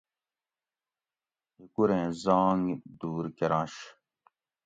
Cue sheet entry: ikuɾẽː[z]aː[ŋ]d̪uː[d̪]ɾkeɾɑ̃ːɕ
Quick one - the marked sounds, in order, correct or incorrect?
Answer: correct, correct, incorrect: none

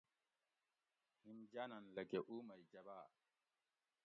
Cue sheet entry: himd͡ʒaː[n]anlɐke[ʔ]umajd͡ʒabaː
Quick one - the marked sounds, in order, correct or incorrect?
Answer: correct, correct

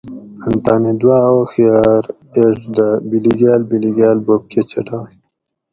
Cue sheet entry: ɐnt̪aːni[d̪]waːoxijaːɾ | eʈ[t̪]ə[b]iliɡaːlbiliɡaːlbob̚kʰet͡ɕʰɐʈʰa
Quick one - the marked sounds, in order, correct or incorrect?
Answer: correct, incorrect: d̪, correct

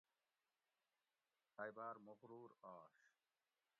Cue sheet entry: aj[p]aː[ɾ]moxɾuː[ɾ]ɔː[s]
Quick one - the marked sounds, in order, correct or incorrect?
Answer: incorrect: b, correct, correct, incorrect: ʃ

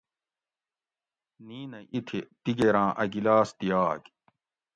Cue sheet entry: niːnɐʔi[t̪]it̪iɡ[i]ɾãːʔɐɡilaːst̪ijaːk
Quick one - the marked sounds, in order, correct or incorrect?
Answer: incorrect: t̪ʰ, incorrect: e

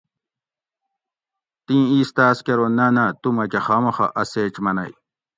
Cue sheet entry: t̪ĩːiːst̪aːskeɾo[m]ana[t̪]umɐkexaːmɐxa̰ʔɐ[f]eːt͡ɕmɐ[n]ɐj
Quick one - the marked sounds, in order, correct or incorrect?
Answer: incorrect: n, correct, incorrect: s, correct

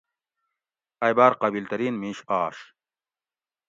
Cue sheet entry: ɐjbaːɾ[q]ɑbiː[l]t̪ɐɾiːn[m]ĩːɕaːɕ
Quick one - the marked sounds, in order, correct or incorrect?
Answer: correct, correct, correct

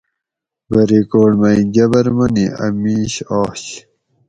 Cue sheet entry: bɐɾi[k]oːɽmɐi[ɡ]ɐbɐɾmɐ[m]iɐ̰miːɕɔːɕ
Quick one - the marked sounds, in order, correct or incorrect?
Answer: correct, correct, incorrect: n

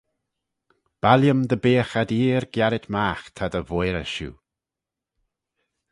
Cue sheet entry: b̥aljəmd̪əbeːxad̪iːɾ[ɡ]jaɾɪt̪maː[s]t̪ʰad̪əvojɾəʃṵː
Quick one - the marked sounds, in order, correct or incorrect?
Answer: correct, incorrect: x

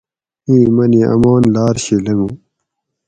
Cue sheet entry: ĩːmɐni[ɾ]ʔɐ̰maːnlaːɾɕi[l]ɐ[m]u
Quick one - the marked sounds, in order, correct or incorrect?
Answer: incorrect: none, correct, correct

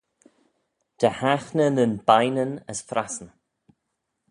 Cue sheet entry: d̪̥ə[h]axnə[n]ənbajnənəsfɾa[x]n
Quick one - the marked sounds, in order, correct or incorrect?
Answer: correct, correct, incorrect: s

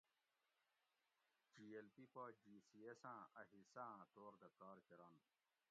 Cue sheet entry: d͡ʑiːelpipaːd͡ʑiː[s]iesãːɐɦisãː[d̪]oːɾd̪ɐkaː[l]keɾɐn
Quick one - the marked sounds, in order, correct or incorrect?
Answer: correct, incorrect: t̪, incorrect: ɾ

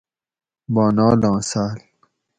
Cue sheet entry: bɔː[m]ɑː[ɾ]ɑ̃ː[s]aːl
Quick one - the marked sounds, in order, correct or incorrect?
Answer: incorrect: n, incorrect: l, correct

